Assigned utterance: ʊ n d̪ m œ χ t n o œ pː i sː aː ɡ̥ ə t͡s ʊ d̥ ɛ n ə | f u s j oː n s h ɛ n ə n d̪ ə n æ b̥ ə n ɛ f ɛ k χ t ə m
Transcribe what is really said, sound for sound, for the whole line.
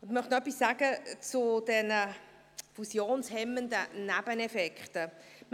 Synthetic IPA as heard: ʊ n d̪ m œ χ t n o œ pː i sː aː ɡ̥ ə t͡s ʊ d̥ ɛ n ə | f u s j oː n s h ɛ m ə n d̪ ə n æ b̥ ə n ɛ f ɛ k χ t ə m